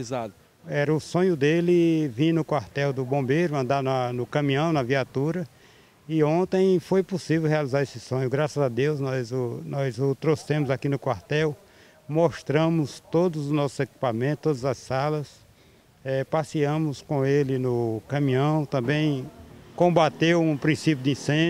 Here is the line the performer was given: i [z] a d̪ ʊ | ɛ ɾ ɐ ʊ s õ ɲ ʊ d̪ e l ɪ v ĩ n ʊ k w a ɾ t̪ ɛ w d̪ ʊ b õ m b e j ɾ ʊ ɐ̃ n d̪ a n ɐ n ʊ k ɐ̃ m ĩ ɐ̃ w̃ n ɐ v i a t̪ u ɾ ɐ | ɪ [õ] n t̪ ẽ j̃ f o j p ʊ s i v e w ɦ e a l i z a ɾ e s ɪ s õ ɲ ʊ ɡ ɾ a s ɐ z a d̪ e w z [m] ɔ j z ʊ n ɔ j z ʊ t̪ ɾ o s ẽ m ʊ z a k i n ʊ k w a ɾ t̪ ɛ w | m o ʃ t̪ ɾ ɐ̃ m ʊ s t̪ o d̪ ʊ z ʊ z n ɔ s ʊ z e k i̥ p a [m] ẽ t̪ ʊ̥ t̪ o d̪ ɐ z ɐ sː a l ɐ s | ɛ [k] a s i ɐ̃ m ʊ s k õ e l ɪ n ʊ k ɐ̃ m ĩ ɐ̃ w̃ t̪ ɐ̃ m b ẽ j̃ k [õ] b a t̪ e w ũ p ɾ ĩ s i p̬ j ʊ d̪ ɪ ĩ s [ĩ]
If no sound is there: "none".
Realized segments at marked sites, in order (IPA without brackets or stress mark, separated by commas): z, õ, n, m, p, õ, ẽ